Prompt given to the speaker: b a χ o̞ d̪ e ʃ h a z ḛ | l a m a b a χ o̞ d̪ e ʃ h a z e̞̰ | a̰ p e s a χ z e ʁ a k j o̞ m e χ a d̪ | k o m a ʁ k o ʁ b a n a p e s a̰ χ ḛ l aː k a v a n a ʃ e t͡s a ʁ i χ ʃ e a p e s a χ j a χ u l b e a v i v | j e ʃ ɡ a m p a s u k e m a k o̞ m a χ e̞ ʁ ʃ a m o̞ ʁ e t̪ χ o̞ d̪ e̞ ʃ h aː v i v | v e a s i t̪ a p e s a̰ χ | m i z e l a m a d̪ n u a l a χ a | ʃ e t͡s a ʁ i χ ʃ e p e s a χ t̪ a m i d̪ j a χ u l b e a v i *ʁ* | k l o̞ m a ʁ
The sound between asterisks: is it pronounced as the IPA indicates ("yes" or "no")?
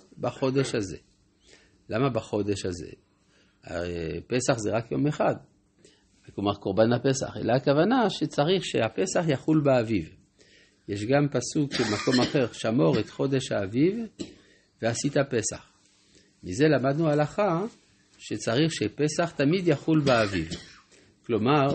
no